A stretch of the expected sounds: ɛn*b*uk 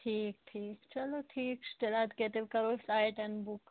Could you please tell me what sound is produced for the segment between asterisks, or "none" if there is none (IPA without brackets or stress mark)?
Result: b